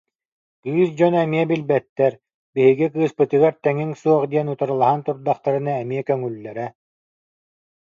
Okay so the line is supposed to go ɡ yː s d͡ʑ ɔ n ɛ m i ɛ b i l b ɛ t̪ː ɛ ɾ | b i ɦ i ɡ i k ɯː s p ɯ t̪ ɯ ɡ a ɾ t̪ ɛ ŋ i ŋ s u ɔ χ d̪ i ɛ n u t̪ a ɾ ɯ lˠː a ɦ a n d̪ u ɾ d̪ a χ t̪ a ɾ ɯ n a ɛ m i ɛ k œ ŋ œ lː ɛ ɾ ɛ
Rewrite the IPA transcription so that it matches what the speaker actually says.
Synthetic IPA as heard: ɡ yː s d͡ʑ ɔ n ɛ m i ɛ b i l b ɛ t̪ː ɛ ɾ | b i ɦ i ɡ i k ɯː s p ɯ t̪ ɯ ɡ a ɾ t̪ ɛ ŋ i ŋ s u ɔ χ d̪ i ɛ n u t̪ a ɾ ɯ lˠ a ɦ a n t̪ u ɾ d̪ a χ t̪ a ɾ ɯ n a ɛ m i ɛ k œ ŋ y lː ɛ ɾ ɛ